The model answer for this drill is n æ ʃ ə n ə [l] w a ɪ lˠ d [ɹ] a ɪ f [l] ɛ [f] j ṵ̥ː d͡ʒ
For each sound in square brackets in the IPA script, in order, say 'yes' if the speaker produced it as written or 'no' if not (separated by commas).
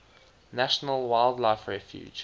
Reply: yes, no, no, yes